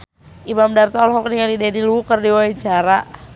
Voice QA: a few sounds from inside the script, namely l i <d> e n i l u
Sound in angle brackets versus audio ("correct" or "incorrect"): correct